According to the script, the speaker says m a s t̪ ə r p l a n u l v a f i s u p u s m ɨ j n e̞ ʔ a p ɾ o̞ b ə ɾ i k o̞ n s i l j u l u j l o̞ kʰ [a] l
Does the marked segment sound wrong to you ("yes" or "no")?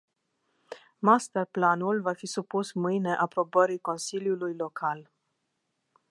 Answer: no